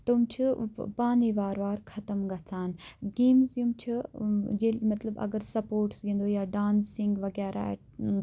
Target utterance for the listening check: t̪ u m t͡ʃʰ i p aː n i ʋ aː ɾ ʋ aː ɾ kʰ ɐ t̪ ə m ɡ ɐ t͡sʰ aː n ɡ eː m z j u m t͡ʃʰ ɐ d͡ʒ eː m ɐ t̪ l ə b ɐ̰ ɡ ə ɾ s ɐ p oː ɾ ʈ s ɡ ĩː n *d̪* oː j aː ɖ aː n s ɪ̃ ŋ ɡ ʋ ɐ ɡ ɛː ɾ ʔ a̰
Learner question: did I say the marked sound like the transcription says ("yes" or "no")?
yes